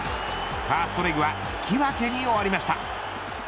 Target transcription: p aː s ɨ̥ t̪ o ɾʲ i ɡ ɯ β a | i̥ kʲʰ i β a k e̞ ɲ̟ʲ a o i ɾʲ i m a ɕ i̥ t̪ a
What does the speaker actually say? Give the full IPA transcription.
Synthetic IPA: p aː s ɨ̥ t̪ o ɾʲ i ɡ ɯ β a | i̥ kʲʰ i β a k e̞ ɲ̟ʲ i o a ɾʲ i m a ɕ i̥ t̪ a